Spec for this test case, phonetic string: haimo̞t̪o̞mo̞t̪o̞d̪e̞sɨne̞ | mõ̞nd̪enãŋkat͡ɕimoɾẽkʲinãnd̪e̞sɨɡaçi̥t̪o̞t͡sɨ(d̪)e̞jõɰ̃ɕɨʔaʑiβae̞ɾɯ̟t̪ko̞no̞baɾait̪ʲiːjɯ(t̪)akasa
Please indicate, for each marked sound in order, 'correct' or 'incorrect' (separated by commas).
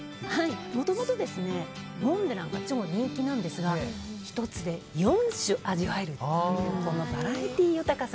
correct, correct